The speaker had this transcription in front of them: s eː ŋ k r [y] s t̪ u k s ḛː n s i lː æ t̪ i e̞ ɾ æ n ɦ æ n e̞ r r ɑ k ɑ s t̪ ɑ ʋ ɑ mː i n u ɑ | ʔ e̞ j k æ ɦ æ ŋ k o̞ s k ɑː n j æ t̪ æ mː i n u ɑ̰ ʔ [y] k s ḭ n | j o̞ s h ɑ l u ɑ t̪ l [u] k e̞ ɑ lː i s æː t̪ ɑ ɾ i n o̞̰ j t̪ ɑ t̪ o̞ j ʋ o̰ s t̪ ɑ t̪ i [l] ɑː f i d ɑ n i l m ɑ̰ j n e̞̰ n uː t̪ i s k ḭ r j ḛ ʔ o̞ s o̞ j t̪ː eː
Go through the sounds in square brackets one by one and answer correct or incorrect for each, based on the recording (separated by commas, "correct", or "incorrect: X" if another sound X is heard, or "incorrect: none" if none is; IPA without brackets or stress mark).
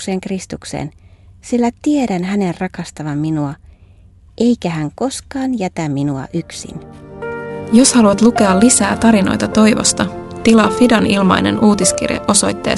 incorrect: i, correct, correct, correct